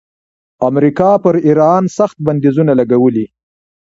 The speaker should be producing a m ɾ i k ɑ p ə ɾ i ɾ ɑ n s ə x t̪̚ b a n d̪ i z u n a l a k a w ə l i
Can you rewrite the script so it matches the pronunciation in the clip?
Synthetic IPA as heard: a m ɾ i k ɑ p ə ɾ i ɾ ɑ n s a x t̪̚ b a n d̪ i z u n a l a ɡ a w ə l i